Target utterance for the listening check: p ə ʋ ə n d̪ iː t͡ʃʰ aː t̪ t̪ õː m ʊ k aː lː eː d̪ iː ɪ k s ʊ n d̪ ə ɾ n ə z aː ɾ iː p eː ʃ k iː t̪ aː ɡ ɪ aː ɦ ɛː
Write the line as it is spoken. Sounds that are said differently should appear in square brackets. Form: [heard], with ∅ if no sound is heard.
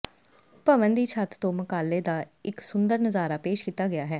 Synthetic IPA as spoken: p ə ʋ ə n d̪ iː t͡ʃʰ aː t̪ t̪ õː m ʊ k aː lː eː d̪ [aː] ɪ k s ʊ n d̪ ə ɾ n ə z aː ɾ [aː] p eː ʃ k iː t̪ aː ɡ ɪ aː ɦ ɛː

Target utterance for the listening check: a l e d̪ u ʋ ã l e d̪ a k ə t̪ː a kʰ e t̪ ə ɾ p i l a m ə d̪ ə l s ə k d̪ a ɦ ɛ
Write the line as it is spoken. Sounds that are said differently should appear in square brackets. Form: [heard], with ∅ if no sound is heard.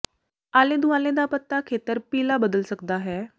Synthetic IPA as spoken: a l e d̪ u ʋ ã l e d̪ a [p] ə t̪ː a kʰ e t̪ ə ɾ p i l a [b] ə d̪ ə l s ə k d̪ a ɦ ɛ

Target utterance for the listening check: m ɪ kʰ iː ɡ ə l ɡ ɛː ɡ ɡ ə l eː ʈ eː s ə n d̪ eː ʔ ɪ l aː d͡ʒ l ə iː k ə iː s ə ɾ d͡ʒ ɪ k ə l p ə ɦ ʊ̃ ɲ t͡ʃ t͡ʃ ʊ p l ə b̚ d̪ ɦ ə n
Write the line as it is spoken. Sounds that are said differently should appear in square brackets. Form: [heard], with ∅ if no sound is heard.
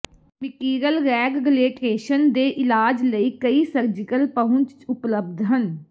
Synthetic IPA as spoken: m ɪ [k] iː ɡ ə l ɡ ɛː ɡ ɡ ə l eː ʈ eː [ʃ] ə n d̪ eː ʔ ɪ l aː d͡ʒ l ə iː k ə iː s ə ɾ d͡ʒ ɪ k ə l p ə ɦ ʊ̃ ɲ t͡ʃ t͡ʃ ʊ p l ə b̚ d̪ ɦ ə n

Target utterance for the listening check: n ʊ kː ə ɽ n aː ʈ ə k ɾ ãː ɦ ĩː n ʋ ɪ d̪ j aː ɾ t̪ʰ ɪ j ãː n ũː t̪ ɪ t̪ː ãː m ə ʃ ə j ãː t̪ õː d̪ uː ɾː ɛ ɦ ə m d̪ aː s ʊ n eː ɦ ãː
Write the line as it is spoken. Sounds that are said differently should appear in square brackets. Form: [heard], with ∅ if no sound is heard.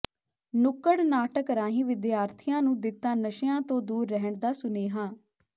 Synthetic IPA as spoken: n ʊ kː ə ɽ n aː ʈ ə k ɾ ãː ɦ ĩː [∅] ʋ ɪ d̪ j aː ɾ t̪ʰ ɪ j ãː n ũː [d̪] ɪ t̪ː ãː [n] ə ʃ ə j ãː t̪ õː d̪ uː ɾː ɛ ɦ ə [ɳ] d̪ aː s ʊ n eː ɦ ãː

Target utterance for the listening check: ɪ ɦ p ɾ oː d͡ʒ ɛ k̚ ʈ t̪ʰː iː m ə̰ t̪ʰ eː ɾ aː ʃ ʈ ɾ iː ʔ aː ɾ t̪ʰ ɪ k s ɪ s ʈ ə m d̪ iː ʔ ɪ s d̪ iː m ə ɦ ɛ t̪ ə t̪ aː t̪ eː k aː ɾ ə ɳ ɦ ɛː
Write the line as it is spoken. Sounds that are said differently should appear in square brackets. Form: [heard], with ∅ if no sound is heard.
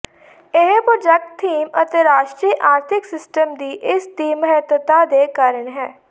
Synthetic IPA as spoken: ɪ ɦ p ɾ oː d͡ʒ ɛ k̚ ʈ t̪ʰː iː m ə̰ [t̪] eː ɾ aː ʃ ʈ ɾ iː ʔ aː ɾ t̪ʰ ɪ k s ɪ s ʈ ə m d̪ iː ʔ ɪ s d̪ iː m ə ɦ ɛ t̪ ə t̪ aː [d̪] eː k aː ɾ ə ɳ ɦ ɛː

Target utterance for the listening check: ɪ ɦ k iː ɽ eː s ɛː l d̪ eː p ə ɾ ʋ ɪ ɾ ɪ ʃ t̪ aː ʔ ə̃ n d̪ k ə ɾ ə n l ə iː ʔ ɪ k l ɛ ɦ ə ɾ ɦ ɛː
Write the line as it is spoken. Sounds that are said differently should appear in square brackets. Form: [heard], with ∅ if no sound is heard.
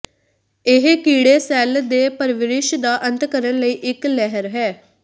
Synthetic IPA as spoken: ɪ ɦ k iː ɽ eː s ɛː l d̪ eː p ə ɾ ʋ ɪ ɾ ɪ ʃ [d̪] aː ʔ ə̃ n [t̪] k ə ɾ ə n l ə iː ʔ ɪ k l ɛ ɦ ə ɾ ɦ ɛː

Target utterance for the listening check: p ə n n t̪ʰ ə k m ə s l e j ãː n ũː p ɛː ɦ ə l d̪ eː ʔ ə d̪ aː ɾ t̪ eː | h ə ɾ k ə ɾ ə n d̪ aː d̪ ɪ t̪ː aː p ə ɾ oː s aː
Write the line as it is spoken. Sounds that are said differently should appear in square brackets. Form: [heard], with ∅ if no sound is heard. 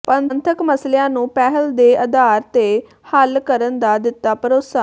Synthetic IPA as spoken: p ə n n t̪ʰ ə k m ə s l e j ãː n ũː p ɛː ɦ ə l d̪ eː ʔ ə d̪ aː ɾ t̪ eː | h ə [l] k ə ɾ ə n d̪ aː d̪ ɪ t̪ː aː p ə ɾ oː s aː

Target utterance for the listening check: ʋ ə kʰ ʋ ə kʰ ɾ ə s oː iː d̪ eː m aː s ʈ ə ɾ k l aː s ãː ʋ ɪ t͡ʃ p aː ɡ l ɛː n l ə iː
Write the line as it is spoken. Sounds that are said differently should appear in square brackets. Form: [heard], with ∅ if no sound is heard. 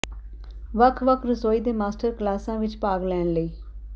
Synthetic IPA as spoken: ʋ ə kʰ ʋ ə kʰ ɾ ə s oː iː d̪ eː m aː s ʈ ə ɾ k l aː s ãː ʋ ɪ t͡ʃ p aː ɡ l ɛː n l ə iː

